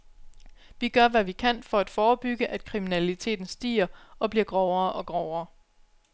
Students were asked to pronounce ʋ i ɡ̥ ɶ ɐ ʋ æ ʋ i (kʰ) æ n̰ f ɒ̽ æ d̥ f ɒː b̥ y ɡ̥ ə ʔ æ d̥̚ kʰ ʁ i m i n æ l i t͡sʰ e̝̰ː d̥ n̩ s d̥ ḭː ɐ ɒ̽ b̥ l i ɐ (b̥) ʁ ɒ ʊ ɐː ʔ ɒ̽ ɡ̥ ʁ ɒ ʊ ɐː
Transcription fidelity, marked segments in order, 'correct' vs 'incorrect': correct, incorrect: ɡ̥

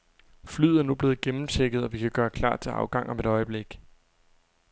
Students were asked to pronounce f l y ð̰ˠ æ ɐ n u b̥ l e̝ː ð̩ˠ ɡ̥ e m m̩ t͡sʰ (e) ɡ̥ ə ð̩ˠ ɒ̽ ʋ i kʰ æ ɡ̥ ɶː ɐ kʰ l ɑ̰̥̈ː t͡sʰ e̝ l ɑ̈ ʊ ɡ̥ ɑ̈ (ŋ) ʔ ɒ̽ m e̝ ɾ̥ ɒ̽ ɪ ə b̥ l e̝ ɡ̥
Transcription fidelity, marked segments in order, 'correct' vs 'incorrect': correct, correct

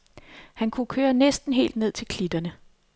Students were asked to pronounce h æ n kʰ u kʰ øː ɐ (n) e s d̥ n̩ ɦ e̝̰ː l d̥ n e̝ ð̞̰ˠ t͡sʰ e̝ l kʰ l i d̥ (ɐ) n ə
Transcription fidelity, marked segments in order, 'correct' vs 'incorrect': correct, correct

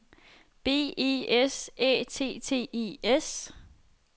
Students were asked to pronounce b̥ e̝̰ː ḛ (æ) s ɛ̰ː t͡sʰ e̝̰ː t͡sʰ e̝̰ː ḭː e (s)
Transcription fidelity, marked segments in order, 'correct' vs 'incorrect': incorrect: e, correct

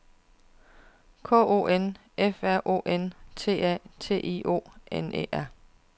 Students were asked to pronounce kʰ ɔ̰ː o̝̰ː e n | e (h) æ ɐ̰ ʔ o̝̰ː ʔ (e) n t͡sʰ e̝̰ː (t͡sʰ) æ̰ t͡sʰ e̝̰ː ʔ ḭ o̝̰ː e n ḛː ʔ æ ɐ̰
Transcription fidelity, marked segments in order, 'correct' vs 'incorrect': incorrect: f, correct, incorrect: none

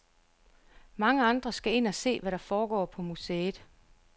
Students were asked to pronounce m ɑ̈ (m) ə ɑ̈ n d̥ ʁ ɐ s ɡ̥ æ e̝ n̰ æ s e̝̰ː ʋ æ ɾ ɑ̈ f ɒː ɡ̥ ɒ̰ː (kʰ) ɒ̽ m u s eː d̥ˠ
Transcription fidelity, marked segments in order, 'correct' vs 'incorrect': incorrect: ŋ, incorrect: pʰ

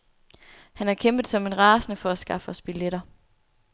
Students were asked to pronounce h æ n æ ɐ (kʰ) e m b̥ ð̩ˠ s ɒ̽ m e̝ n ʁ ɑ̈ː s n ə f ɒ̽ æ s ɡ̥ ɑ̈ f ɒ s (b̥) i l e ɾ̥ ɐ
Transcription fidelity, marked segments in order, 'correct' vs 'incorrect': correct, correct

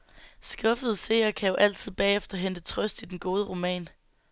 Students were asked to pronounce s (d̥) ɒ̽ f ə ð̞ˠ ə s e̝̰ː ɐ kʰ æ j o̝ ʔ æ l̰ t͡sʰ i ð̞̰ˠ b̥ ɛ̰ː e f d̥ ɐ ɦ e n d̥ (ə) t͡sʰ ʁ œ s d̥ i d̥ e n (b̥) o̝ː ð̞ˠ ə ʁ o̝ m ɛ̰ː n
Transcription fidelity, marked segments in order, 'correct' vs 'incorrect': incorrect: ɡ̥, correct, incorrect: ɡ̥

